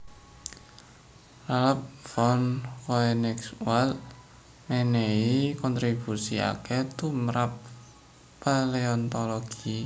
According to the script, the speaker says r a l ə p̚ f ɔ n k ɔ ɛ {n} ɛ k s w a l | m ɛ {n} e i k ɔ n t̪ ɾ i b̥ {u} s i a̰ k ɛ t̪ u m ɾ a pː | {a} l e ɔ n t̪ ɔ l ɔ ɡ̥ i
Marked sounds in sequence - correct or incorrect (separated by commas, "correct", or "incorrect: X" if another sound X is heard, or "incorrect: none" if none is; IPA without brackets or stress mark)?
correct, correct, correct, correct